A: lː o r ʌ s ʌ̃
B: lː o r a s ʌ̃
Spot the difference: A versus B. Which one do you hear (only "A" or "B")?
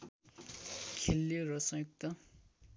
A